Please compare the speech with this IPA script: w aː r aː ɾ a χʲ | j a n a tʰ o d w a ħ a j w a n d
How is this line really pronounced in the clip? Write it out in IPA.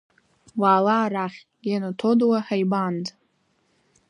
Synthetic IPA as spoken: w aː l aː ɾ a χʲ | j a n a tʰ o d w a ħ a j b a n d